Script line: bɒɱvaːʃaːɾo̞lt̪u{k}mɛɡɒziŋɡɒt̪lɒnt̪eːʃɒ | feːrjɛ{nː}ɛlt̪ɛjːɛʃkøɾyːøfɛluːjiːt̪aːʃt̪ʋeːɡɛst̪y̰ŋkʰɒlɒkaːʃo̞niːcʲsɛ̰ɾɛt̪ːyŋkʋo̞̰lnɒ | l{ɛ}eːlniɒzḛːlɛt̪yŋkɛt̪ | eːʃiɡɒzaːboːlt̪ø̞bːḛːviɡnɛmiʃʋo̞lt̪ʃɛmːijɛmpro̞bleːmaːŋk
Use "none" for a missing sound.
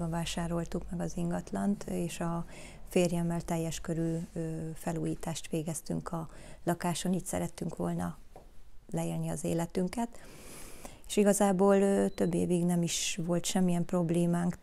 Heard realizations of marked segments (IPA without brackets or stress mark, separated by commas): k, mː, ɛ